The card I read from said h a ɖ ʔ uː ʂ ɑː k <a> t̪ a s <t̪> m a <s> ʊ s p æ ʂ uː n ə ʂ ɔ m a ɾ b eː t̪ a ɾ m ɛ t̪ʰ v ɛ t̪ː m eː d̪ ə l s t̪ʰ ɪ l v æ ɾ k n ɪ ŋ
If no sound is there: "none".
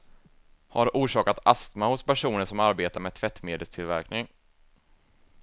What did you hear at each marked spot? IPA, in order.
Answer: a, t̪, h

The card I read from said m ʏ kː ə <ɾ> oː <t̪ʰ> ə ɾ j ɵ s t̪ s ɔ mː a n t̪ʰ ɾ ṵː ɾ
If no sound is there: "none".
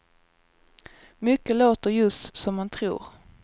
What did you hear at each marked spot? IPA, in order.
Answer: l, t̪

